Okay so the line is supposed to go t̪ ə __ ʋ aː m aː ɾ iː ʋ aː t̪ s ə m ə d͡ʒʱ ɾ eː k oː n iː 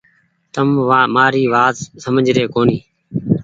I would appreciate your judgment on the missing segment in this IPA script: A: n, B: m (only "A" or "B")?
B